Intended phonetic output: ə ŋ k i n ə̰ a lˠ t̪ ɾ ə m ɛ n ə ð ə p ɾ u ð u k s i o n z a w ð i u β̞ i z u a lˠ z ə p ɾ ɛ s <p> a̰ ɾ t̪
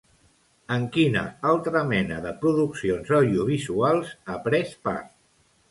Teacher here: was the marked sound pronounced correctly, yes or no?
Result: yes